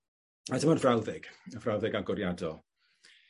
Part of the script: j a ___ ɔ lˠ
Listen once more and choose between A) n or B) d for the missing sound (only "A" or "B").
B